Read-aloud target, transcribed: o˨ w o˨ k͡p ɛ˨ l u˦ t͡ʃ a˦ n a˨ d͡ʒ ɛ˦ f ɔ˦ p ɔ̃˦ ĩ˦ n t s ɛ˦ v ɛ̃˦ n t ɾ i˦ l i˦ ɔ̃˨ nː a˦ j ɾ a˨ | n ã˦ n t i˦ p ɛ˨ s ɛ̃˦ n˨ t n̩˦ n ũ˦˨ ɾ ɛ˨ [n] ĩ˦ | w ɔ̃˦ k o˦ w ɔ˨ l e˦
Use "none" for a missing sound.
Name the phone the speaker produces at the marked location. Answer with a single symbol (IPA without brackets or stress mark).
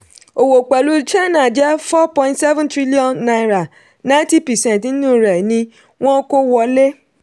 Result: n